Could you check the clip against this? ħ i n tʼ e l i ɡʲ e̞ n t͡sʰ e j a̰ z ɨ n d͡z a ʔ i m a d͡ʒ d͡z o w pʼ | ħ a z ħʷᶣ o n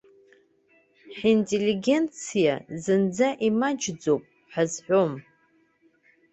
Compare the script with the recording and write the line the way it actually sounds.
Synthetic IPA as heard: ħ i n tʼ e l i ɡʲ e̞ n t͡sʰ i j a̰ z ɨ n d͡z a ʔ i m a d͡ʒ d͡z o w pʼ | ħ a z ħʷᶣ o m